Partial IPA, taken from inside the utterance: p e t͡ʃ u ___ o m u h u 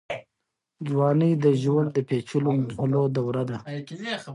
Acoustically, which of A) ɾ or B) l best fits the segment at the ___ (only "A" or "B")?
B